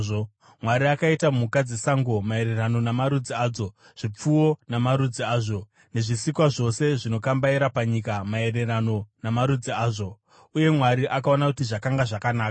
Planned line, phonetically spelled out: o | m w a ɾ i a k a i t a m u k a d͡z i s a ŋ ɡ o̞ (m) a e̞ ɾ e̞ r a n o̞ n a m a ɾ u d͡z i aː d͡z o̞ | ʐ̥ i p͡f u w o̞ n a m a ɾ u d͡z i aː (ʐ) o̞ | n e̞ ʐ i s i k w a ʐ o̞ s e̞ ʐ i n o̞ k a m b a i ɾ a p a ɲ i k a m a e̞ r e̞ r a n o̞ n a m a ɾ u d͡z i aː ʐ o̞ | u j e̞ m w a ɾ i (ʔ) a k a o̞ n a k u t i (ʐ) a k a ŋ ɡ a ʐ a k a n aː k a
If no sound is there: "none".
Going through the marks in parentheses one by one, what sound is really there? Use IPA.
m, ʐ, ʔ, ʐ

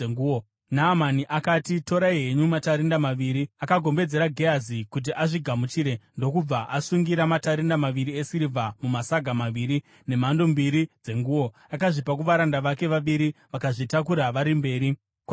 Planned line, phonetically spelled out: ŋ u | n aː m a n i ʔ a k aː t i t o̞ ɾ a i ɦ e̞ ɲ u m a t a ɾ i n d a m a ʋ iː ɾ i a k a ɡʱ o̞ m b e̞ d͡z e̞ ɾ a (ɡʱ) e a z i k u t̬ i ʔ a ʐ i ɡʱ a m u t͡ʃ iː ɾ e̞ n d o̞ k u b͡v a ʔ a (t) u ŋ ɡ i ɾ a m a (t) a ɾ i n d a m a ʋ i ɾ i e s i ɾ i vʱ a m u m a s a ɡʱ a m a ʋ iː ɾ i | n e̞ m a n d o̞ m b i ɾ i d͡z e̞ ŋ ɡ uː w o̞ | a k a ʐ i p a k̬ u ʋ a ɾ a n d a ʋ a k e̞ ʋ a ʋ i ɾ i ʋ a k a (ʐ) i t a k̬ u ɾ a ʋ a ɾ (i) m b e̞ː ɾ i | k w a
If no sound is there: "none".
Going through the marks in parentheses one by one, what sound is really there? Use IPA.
ɡʱ, s, t, ʐ, i

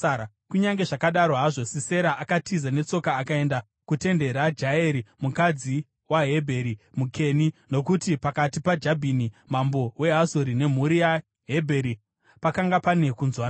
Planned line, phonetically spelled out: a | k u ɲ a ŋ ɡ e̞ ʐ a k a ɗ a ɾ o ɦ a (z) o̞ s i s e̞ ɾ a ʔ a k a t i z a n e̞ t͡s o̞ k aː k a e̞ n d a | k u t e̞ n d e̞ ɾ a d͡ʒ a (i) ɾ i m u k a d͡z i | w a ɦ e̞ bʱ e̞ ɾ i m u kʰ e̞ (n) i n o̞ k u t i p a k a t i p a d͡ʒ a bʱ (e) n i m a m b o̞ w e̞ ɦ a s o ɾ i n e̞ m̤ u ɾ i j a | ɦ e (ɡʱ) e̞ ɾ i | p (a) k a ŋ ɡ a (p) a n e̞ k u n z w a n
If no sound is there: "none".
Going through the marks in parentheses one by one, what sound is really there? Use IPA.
ʐ, e, n, i, bʱ, a, p

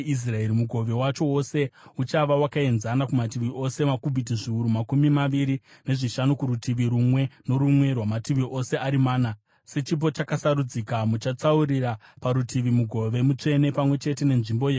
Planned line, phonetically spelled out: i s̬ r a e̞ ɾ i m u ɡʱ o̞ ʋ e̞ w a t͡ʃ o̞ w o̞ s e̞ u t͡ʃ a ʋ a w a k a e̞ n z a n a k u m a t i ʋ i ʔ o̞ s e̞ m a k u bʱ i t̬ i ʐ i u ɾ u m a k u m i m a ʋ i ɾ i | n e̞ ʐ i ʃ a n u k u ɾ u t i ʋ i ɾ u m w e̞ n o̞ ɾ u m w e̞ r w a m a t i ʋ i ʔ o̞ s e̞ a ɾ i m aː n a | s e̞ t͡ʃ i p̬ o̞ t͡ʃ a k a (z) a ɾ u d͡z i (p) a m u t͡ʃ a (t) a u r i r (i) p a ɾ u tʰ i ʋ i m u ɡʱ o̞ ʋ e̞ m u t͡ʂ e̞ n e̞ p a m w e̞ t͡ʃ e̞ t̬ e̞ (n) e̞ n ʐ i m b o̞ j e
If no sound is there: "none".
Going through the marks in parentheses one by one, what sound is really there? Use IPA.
s, k, t͡s, a, n

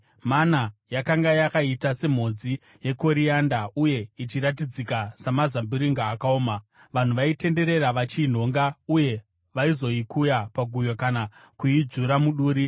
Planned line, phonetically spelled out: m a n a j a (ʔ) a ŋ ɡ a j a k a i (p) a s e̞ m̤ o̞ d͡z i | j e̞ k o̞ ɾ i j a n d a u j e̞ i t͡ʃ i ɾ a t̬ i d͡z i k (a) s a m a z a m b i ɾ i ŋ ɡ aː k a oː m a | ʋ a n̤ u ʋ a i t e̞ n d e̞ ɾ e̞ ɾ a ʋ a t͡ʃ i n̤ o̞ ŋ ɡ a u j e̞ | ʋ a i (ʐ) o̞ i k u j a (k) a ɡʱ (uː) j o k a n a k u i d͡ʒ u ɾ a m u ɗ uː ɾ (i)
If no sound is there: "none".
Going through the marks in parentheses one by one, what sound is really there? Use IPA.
k, t, a, z, p, u, i

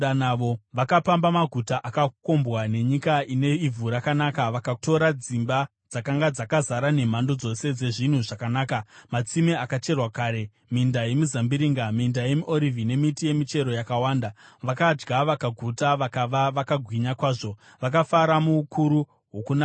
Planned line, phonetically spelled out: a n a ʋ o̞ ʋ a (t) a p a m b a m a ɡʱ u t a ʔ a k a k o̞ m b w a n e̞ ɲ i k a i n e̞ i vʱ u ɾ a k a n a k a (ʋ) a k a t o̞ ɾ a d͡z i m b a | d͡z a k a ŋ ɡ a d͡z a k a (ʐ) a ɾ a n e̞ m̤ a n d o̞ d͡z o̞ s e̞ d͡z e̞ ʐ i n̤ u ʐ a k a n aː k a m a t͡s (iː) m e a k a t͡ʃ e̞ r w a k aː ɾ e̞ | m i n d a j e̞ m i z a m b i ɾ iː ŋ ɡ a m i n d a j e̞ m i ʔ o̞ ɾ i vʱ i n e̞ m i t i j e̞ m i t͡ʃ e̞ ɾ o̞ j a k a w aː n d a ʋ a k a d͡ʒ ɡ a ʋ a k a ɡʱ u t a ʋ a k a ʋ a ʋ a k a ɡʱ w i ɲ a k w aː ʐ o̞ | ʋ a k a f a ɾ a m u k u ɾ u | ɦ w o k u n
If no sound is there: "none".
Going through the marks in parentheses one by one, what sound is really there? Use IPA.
k, ʋ, z, i

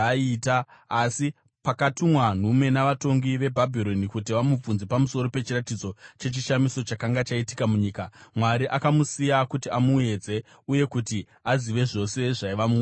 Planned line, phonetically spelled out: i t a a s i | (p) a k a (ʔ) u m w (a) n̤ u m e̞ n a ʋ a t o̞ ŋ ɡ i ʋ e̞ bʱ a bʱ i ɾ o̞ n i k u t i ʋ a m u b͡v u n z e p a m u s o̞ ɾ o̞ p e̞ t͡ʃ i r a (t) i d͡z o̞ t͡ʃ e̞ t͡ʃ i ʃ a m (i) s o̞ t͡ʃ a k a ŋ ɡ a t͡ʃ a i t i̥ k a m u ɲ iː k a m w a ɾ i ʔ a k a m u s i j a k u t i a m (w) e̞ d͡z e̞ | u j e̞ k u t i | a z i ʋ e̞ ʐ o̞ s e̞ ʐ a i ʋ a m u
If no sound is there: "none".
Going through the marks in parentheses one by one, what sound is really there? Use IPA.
p, t, a, t, i, u

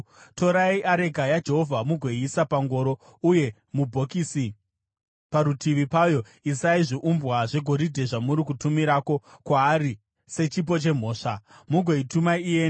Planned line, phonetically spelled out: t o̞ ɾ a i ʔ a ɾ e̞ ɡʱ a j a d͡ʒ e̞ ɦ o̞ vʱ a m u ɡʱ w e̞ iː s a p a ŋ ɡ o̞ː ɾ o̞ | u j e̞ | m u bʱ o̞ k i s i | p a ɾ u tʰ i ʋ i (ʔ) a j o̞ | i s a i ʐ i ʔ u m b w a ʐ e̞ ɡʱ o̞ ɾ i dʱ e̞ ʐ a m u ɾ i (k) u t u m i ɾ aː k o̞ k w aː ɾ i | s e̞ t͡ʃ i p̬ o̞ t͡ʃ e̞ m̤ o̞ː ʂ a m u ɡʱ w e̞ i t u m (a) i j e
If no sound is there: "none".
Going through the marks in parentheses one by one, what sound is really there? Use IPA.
p, k, a

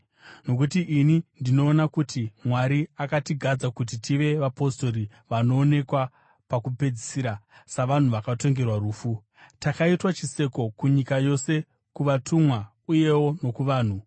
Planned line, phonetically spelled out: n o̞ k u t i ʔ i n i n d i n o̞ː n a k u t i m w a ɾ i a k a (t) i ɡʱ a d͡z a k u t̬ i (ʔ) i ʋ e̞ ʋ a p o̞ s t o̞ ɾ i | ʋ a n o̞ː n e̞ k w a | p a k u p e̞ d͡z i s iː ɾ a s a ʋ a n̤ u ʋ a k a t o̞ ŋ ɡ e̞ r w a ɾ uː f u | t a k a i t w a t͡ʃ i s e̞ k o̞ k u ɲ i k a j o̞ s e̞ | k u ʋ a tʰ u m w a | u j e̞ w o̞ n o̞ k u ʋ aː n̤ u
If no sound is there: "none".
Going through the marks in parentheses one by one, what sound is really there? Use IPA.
t, t

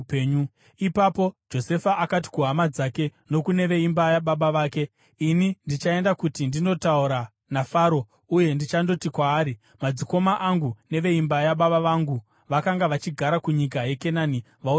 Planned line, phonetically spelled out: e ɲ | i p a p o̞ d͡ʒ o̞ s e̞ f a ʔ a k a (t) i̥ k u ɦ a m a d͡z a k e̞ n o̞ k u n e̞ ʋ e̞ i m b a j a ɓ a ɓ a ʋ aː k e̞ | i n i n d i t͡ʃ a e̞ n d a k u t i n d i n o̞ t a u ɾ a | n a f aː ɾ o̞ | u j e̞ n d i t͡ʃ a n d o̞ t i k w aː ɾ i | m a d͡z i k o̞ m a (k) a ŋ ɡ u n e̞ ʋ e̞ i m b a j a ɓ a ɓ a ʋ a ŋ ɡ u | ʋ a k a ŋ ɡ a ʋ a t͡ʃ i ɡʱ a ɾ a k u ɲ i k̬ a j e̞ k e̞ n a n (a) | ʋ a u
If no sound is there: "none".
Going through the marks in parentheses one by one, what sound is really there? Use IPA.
t, ʔ, i

